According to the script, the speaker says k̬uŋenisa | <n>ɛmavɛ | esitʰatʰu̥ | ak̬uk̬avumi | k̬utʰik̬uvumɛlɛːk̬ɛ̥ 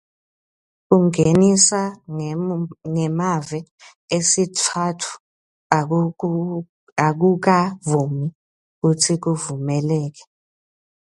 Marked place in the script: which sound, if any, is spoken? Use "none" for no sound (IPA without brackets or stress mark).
ŋ